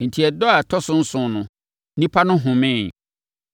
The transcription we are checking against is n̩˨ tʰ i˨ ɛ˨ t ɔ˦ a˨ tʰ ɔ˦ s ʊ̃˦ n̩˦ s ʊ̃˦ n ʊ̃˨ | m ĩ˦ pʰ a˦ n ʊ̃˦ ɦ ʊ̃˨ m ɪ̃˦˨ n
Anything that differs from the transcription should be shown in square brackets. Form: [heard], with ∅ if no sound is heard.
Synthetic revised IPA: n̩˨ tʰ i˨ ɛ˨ [d] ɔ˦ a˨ tʰ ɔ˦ s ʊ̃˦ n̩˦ s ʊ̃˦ n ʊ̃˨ | [n] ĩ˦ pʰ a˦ n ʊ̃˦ ɦ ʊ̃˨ m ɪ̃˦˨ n